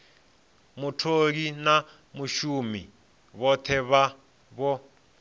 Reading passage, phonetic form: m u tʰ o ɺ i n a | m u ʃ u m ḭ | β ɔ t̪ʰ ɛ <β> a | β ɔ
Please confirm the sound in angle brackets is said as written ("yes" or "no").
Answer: yes